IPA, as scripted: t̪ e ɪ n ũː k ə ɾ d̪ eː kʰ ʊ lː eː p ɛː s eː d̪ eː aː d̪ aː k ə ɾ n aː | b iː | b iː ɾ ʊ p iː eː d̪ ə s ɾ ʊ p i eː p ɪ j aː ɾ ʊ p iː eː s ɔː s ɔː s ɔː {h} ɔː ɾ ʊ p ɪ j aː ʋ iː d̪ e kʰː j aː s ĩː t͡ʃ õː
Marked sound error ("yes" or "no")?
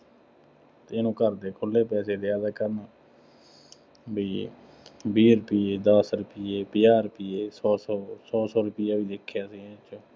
yes